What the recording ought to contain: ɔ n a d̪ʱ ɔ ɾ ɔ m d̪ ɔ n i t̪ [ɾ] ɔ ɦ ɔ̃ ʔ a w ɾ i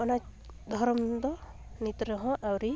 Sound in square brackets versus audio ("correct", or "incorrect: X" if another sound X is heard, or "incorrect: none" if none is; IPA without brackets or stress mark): correct